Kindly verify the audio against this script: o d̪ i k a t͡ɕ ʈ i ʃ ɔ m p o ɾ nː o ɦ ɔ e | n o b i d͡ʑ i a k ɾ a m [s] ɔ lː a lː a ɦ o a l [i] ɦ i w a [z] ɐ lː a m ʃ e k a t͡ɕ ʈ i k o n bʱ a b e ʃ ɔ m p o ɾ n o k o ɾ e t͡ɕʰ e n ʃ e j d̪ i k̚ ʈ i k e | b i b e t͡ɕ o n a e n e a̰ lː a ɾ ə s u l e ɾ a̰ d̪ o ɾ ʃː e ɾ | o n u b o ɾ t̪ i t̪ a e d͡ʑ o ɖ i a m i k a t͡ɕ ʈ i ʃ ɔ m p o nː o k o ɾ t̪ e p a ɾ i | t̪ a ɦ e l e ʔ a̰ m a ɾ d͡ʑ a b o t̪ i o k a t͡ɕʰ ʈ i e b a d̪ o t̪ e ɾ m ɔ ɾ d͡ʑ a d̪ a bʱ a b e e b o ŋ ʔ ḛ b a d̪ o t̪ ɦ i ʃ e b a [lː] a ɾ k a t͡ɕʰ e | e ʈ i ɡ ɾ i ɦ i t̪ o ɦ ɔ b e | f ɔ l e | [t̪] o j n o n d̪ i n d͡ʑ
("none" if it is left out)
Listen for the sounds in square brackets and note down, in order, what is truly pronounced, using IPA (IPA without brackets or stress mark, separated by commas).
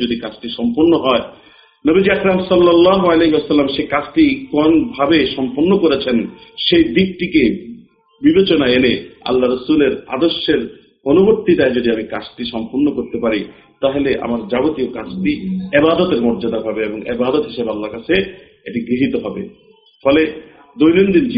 s, e, s, lː, d̪